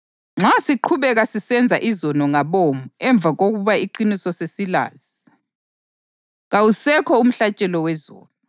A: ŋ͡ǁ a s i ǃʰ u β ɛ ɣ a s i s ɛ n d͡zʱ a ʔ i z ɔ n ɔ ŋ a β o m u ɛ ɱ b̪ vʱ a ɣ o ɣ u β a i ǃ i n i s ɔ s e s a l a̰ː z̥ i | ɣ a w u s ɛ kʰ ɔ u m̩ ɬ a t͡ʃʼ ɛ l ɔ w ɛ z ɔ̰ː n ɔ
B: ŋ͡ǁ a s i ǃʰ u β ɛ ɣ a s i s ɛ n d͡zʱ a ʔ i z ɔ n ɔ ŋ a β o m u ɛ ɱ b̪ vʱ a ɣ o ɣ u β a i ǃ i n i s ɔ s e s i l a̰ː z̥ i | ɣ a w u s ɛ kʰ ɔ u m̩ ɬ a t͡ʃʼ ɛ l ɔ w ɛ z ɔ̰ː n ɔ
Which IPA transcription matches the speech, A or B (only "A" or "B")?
B